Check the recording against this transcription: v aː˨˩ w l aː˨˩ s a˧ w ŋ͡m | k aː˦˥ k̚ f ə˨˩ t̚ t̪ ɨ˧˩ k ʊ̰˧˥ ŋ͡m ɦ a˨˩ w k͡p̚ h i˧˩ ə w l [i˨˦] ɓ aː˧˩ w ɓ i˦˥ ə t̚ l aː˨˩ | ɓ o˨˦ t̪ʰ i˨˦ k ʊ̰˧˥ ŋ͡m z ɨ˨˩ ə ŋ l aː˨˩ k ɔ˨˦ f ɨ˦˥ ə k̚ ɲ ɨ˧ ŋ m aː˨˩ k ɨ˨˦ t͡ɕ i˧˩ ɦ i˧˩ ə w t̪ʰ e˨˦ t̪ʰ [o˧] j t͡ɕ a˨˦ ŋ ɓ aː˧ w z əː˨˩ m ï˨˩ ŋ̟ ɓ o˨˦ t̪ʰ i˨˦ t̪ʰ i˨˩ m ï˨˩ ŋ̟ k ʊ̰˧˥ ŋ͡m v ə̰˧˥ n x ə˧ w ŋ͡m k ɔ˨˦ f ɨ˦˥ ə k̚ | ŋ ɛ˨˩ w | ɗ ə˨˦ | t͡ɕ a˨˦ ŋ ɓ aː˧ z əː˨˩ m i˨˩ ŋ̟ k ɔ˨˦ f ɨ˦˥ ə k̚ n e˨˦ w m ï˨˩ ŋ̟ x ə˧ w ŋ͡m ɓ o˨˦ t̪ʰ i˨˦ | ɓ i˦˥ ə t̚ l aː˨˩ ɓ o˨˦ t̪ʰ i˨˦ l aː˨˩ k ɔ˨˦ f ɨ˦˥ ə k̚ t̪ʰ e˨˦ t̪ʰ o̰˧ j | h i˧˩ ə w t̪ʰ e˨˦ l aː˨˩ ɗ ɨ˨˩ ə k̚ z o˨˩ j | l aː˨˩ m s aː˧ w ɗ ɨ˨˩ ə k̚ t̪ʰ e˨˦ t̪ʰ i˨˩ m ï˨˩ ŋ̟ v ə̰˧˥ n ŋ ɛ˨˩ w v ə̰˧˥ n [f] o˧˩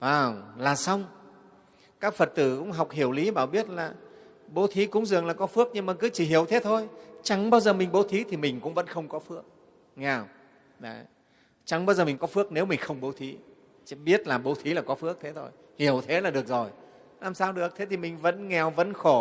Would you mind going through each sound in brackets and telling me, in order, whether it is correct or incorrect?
correct, correct, incorrect: x

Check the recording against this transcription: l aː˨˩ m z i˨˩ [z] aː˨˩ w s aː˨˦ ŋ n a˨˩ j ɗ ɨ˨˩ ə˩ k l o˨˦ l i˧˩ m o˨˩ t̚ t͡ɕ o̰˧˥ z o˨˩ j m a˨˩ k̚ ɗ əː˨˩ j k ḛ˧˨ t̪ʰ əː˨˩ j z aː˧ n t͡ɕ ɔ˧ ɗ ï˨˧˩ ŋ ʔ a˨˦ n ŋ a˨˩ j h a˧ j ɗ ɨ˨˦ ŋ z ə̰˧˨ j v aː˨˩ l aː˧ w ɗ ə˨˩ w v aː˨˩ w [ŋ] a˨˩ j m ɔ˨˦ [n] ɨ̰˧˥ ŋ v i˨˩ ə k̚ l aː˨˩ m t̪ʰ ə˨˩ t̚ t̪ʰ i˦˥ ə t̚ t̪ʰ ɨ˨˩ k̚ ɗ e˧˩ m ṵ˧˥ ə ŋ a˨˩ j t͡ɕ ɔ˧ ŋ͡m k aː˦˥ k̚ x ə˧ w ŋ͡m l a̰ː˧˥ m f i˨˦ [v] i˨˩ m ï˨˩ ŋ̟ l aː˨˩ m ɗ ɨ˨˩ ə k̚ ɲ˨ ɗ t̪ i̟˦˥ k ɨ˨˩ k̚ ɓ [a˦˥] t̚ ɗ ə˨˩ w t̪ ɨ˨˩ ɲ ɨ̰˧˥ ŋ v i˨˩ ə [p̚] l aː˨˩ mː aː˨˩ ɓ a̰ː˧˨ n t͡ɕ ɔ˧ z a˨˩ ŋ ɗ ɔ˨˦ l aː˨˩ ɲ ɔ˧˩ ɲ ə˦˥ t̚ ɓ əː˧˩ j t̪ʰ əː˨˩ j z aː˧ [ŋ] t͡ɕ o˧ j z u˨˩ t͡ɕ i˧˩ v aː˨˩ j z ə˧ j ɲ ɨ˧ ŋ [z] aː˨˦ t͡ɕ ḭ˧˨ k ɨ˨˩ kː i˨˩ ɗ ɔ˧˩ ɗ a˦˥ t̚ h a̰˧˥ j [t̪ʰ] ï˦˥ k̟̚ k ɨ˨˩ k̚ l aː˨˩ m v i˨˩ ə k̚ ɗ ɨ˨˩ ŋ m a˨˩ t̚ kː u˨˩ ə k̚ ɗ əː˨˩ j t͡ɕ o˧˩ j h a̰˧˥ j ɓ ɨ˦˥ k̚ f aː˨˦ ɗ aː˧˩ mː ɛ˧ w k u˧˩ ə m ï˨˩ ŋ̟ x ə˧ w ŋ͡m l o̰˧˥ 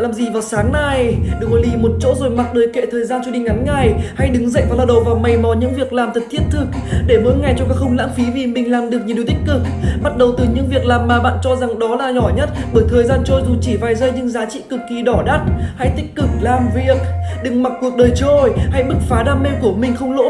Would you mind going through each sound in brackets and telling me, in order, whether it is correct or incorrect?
incorrect: v, incorrect: m, incorrect: ɲ, correct, correct, incorrect: k̚, incorrect: n, correct, incorrect: t̪

